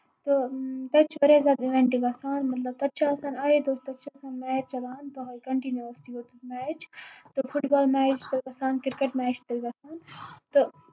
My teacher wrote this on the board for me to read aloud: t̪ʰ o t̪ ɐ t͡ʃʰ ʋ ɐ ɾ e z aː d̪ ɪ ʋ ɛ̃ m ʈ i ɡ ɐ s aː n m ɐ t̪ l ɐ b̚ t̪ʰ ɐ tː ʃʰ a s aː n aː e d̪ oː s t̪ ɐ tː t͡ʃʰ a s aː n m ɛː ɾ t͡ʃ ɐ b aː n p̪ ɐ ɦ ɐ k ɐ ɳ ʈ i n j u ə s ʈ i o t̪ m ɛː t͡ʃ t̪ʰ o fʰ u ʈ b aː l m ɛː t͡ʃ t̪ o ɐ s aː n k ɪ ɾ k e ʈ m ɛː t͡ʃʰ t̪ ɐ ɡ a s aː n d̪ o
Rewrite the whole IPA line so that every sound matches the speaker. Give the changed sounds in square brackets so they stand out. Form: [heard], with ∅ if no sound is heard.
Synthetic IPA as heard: [t̪] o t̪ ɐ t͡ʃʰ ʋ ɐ ɾ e z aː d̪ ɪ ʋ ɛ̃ [ɳ] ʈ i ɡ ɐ s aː n m ɐ t̪ l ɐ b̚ [t̪] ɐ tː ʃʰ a s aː n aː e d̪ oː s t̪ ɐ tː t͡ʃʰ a s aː n m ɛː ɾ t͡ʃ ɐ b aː n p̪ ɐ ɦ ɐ k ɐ ɳ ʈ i n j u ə s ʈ i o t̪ m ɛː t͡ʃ [t̪] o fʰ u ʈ b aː l m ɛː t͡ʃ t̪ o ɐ s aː n k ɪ ɾ k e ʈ m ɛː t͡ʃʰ t̪ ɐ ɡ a s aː n [t̪] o